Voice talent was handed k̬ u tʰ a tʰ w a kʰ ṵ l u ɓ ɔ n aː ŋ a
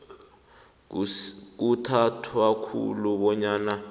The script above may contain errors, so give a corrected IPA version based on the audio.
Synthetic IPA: k̬ u tʰ a tʰ w a kʰ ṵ l u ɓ ɔ ɲ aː n a